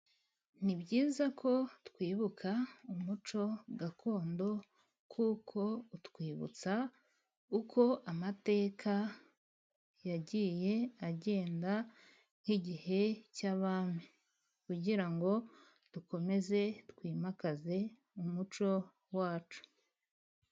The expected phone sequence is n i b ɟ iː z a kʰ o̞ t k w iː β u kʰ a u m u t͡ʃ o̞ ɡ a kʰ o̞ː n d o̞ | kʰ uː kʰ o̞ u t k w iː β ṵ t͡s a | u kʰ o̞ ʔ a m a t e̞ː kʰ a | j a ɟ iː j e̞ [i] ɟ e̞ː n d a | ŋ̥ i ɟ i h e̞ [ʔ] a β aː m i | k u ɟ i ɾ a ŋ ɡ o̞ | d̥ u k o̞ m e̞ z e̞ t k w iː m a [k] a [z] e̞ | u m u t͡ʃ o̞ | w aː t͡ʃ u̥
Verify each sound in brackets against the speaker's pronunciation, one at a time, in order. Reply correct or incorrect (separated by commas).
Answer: incorrect, incorrect, correct, correct